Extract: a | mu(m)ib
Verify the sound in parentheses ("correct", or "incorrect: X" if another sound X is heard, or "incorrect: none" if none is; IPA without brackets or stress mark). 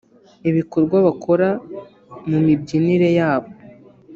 correct